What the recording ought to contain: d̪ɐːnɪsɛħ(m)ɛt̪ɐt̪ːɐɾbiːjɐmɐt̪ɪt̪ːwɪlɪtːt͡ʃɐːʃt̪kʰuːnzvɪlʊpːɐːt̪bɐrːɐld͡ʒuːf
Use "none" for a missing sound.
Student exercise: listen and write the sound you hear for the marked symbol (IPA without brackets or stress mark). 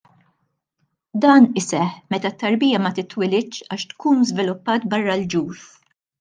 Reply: m